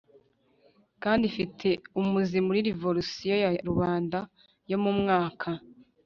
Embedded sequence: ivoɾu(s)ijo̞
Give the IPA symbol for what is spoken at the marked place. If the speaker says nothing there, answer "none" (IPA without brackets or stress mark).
s